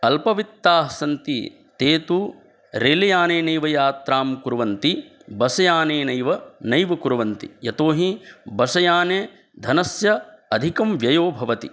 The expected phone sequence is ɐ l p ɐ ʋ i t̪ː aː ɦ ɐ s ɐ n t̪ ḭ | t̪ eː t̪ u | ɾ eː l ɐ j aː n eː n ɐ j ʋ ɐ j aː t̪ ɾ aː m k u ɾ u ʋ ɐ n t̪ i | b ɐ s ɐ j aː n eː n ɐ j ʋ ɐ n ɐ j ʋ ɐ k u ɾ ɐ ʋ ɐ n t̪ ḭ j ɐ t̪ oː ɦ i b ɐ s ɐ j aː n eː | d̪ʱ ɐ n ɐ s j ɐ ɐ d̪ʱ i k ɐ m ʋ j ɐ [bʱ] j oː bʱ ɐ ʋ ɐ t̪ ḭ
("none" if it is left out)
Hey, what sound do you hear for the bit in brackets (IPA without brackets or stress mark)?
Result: none